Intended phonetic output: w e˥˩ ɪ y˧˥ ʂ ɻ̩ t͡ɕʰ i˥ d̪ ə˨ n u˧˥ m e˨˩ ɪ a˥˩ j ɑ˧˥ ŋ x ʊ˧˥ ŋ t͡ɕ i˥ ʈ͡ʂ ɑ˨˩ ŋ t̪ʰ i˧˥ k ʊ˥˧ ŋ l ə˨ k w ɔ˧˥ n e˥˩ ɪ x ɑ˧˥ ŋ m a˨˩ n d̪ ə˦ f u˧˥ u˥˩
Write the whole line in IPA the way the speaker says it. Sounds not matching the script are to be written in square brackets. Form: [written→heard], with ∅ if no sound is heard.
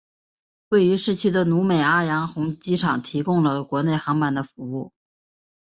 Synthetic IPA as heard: w e˥˩ ɪ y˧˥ ʂ ɻ̩ t͡ɕʰ [i˥→y˥] d̪ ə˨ n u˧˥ m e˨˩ ɪ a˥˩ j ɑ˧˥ ŋ x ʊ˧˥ ŋ t͡ɕ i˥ [ʈ͡ʂ→ʈ͡ʂʰ] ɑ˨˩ ŋ t̪ʰ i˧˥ k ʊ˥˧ ŋ l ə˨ k w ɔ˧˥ n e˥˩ ɪ x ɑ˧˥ ŋ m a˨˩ n d̪ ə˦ f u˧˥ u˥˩

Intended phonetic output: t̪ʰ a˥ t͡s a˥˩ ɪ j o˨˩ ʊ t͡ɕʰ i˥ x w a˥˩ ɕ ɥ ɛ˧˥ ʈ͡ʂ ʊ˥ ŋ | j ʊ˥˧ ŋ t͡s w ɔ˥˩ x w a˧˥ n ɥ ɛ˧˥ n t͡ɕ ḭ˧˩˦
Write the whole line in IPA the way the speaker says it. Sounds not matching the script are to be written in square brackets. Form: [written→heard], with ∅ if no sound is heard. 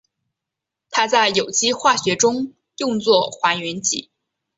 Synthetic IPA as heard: t̪ʰ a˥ t͡s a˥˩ ɪ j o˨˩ ʊ [t͡ɕʰ→t͡ɕ] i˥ x w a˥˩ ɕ ɥ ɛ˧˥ ʈ͡ʂ ʊ˥ ŋ | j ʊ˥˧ ŋ t͡s w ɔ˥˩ x w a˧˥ n ɥ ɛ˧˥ n t͡ɕ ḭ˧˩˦

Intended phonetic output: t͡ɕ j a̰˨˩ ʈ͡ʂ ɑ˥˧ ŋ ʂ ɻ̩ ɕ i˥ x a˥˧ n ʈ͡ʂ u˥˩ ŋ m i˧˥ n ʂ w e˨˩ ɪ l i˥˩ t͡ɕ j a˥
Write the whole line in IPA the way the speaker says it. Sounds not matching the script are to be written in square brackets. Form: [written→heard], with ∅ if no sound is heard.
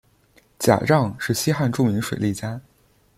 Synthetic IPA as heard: t͡ɕ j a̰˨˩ ʈ͡ʂ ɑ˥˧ ŋ ʂ ɻ̩ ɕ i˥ x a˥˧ n ʈ͡ʂ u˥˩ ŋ m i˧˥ [n→ŋ] ʂ w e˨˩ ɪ l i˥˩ t͡ɕ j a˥

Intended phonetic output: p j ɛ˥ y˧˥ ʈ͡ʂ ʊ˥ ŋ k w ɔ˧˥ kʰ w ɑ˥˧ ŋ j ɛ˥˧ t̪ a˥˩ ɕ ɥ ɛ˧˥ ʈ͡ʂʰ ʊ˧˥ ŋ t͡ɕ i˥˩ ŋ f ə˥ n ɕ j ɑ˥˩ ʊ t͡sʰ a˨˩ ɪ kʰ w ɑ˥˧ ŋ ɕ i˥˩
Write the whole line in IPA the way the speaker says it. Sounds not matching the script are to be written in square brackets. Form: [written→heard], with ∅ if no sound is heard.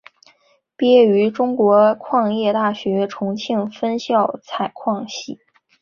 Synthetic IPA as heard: p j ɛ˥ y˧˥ ʈ͡ʂ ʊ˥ ŋ k w ɔ˧˥ kʰ w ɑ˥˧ ŋ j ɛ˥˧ t̪ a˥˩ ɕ ɥ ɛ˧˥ ʈ͡ʂʰ ʊ˧˥ ŋ [t͡ɕ→t͡ɕʰ] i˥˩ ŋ f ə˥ n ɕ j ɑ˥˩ ʊ t͡sʰ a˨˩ ɪ kʰ w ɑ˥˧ ŋ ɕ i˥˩

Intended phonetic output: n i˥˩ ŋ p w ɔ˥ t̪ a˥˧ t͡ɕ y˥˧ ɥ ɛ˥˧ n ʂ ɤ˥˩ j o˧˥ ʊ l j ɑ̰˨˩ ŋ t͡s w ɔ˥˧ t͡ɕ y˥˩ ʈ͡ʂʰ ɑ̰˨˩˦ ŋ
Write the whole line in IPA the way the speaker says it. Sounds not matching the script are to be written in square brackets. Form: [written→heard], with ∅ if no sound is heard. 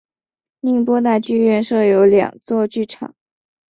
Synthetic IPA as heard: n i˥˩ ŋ p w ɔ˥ t̪ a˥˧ t͡ɕ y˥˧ ɥ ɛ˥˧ n ʂ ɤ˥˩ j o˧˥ ʊ l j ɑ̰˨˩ ŋ t͡s w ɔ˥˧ t͡ɕ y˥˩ ʈ͡ʂʰ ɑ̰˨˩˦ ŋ

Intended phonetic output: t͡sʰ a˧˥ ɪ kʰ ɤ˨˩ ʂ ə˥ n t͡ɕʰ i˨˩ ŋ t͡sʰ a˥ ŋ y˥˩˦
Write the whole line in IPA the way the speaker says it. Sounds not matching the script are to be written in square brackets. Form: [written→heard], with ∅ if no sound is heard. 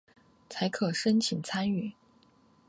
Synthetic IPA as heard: t͡sʰ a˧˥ ɪ kʰ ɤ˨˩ ʂ ə˥ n t͡ɕʰ i˨˩ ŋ t͡sʰ a˥ [ŋ→n] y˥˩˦

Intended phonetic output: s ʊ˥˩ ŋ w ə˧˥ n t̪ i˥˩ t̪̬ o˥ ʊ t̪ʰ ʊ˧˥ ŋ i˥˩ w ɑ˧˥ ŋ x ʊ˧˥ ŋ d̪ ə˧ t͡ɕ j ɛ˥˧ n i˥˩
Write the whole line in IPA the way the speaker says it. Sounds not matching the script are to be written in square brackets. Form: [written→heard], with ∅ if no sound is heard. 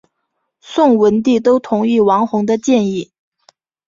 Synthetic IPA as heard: s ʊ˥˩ ŋ w ə˧˥ n t̪ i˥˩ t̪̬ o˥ ʊ t̪ʰ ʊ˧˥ ŋ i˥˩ w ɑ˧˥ ŋ x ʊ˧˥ ŋ d̪ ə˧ t͡ɕ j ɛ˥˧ n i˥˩

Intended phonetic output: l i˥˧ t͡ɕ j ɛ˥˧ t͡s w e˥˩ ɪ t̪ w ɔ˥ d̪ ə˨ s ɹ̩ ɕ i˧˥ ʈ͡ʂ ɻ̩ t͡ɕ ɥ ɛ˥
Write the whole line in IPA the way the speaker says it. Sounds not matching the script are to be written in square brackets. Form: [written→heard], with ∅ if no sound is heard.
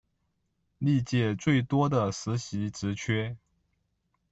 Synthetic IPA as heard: l i˥˧ t͡ɕ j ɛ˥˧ t͡s w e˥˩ ɪ t̪ w ɔ˥ d̪ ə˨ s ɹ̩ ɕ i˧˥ ʈ͡ʂ ɻ̩ [t͡ɕ→t͡ɕʰ] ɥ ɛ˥

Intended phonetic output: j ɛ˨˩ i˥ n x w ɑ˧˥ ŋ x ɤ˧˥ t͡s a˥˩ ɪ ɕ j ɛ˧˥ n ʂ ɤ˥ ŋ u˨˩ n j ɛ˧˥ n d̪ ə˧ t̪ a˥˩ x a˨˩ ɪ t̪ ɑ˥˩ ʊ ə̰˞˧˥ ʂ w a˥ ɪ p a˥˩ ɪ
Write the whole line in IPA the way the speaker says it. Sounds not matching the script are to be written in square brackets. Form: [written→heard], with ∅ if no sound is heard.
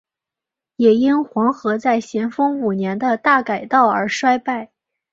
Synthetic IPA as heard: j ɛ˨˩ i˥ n x w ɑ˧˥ ŋ x ɤ˧˥ t͡s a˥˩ ɪ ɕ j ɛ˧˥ n [ʂ→f] ɤ˥ ŋ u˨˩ n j ɛ˧˥ n d̪ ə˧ t̪ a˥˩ [x→k] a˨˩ ɪ t̪ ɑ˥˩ ʊ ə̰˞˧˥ ʂ w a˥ ɪ p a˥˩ ɪ

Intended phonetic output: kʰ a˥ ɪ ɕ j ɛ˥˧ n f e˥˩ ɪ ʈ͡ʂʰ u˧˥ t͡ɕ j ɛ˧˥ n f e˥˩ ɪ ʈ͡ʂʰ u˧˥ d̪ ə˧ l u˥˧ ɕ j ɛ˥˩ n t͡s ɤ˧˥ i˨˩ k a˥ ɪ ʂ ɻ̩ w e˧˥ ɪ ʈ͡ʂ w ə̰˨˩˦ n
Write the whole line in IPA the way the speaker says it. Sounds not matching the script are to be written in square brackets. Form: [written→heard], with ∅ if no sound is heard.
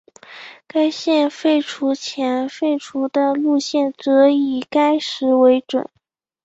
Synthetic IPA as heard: [kʰ→k] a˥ ɪ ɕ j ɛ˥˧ n f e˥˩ ɪ ʈ͡ʂʰ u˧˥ [t͡ɕ→t͡ɕʰ] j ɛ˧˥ n f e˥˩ ɪ ʈ͡ʂʰ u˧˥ d̪ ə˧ l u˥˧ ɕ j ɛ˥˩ n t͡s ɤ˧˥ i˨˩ k a˥ ɪ ʂ ɻ̩ w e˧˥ ɪ ʈ͡ʂ w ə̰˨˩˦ n

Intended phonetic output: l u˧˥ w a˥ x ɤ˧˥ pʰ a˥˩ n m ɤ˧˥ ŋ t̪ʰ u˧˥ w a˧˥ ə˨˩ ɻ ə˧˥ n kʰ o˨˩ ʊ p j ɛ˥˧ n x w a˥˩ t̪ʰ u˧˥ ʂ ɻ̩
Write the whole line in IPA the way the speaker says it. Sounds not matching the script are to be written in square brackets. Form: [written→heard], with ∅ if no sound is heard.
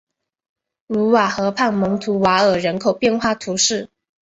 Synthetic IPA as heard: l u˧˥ w [a˥→a˨˩] x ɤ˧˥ pʰ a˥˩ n m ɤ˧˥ ŋ t̪ʰ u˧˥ w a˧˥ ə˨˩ ɻ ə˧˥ n kʰ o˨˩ ʊ p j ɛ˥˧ n x w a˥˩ t̪ʰ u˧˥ ʂ ɻ̩

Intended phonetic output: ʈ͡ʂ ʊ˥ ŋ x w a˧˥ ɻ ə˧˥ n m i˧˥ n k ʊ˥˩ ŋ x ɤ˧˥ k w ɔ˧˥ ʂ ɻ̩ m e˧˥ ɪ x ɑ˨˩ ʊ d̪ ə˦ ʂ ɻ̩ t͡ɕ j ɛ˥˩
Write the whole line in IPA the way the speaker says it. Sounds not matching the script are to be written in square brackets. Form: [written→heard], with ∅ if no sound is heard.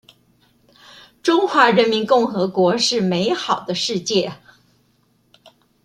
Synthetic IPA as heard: ʈ͡ʂ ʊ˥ ŋ x w a˧˥ ɻ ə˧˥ n m i˧˥ n k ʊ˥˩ ŋ x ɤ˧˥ k w ɔ˧˥ ʂ ɻ̩ m e˧˥ ɪ x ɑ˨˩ ʊ d̪ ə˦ ʂ ɻ̩ t͡ɕ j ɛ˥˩

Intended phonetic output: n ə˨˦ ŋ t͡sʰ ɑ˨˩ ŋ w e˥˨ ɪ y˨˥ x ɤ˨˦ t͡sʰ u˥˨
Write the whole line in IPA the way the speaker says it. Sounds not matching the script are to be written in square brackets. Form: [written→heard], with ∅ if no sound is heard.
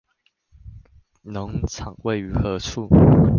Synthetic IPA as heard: n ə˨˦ ŋ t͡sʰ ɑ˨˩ ŋ w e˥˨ ɪ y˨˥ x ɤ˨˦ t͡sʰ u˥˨

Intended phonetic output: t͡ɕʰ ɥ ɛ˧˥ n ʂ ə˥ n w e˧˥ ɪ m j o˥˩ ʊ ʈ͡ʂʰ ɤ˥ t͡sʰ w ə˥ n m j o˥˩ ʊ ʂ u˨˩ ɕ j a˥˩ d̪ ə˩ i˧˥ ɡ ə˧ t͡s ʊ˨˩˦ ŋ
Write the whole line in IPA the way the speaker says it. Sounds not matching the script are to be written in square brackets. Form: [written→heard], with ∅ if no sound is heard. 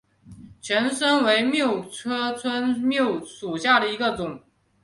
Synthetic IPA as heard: t͡ɕʰ ɥ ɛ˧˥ n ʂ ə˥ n w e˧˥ ɪ m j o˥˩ ʊ ʈ͡ʂʰ ɤ˥ t͡sʰ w ə˥ n m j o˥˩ ʊ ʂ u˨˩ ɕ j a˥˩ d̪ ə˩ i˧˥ ɡ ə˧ t͡s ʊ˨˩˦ ŋ

